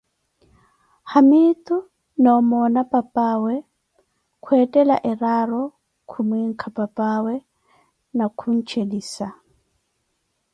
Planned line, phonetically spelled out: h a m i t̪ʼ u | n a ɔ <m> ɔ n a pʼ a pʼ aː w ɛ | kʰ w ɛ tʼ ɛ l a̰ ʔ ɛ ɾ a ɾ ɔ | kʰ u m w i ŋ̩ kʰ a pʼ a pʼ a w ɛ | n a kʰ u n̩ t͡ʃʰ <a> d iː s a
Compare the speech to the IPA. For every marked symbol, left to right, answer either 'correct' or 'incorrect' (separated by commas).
correct, incorrect